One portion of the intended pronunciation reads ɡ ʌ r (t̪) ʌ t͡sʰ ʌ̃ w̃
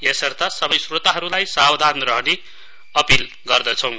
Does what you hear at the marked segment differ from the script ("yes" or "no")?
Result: yes